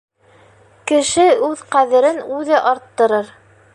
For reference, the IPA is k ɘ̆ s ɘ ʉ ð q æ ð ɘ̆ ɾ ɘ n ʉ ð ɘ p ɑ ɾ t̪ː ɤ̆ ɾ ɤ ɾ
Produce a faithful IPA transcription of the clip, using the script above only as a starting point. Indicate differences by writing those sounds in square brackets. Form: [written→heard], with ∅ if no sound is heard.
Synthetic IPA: k ɘ̆ [s→ʃ] ɘ ʉ ð q æ ð ɘ̆ ɾ ɘ n ʉ ð ɘ [p→ʔ] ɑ ɾ t̪ː ɤ̆ ɾ ɤ ɾ